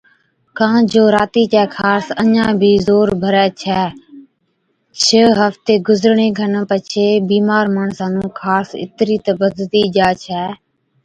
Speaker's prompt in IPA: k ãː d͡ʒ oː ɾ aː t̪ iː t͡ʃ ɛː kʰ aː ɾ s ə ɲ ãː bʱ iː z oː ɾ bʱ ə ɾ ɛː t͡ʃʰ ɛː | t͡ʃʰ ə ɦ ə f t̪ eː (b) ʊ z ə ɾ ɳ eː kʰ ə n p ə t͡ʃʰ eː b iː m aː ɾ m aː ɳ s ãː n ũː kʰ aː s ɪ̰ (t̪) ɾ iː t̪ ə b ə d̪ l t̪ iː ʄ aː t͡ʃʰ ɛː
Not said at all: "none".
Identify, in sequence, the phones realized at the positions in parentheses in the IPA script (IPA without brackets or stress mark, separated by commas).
ɡ, t̪